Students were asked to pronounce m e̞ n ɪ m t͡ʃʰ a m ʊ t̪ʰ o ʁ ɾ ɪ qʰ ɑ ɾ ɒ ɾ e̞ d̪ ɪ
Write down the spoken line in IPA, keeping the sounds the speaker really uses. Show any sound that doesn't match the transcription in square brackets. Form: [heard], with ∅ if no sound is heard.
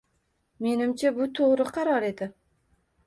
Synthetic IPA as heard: m e̞ n ɪ m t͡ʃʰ a [b] ʊ t̪ʰ o ʁ ɾ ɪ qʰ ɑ ɾ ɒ ɾ e̞ d̪ ɪ

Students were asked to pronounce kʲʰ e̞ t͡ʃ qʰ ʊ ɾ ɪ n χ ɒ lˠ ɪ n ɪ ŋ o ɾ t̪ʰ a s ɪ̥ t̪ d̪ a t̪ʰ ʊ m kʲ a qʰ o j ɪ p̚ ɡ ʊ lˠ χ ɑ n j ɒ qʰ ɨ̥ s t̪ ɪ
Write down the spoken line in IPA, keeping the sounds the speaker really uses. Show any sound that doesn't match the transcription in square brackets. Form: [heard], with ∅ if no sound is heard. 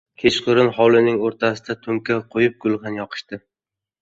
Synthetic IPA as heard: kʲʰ e̞ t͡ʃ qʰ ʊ ɾ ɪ n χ ɒ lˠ ɪ n ɪ ŋ o ɾ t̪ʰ a s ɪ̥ [∅] d̪ a t̪ʰ ʊ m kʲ a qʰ o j ɪ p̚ ɡ ʊ lˠ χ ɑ n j ɒ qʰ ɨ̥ [ʃ] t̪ ɪ

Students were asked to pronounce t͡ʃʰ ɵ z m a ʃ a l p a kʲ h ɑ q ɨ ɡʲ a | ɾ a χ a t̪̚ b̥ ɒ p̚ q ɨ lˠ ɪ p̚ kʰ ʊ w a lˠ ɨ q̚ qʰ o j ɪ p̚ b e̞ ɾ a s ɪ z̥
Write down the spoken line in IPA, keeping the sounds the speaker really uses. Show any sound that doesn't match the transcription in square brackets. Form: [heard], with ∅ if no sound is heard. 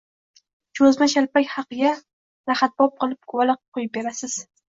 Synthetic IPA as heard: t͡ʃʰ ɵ z m a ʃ a l p a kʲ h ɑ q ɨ ɡʲ a | ɾ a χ a t̪̚ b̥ ɒ p̚ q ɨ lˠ ɪ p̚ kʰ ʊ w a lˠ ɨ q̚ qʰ o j ɪ p̚ b e̞ ɾ a s ɪ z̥

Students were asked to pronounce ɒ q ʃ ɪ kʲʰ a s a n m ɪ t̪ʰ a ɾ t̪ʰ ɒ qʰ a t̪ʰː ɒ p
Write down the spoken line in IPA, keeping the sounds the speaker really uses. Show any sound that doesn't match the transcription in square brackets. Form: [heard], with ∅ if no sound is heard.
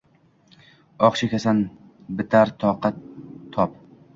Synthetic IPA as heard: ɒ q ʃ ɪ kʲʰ a s a n [b] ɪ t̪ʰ a ɾ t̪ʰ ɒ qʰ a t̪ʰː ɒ p

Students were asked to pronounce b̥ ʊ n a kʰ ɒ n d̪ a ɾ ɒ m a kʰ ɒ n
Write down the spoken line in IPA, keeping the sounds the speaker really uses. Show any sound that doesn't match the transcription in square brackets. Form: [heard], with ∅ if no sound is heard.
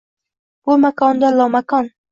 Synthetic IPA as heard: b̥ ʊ [m] a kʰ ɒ n d̪ a [l] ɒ m a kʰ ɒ n

